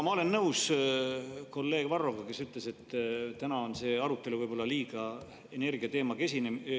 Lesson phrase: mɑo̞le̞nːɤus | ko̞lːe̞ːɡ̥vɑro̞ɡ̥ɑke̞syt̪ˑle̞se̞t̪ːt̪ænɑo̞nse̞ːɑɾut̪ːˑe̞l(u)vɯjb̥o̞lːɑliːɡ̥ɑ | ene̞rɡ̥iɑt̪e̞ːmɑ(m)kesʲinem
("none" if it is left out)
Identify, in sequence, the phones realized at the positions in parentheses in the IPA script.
u, none

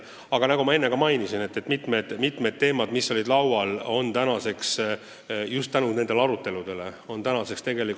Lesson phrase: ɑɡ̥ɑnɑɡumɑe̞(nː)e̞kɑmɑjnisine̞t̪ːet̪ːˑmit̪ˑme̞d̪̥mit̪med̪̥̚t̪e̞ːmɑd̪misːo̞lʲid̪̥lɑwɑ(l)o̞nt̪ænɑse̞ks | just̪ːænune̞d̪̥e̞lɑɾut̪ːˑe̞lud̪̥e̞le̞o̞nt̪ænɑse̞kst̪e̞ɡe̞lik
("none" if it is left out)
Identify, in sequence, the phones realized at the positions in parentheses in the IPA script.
nː, l

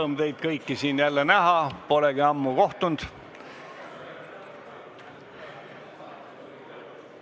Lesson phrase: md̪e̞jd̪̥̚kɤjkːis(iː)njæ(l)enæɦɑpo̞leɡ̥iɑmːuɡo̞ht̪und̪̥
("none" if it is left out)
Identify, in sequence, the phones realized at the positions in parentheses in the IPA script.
iː, lː

